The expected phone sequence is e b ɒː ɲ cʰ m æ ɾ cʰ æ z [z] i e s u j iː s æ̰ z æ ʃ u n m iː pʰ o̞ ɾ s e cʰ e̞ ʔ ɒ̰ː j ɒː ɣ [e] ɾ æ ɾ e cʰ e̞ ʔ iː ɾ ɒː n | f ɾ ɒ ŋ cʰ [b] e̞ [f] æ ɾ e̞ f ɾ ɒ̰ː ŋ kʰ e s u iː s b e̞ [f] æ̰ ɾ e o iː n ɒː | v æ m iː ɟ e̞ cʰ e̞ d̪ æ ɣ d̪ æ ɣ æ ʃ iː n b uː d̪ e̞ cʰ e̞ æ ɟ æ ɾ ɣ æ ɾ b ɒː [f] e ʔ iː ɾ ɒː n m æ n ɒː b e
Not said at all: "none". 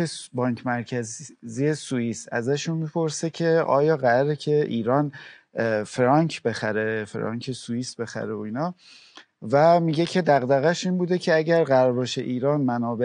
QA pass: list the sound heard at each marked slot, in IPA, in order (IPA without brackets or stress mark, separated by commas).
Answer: z, æ, b, x, x, ʃ